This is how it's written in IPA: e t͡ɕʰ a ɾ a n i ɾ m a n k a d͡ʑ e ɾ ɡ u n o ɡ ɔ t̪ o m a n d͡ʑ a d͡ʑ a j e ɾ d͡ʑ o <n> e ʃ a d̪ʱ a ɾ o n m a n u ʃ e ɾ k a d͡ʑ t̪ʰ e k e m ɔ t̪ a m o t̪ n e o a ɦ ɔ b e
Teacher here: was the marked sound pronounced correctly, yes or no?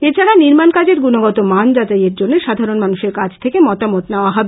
no